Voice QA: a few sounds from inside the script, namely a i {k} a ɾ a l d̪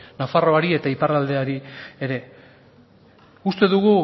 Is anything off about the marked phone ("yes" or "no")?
yes